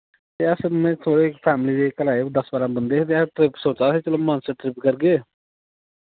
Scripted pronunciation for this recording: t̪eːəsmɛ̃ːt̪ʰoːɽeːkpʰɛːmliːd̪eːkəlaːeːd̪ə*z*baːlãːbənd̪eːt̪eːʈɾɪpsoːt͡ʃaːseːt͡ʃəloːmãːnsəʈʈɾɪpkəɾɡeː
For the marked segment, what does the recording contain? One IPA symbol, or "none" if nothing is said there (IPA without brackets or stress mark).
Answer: s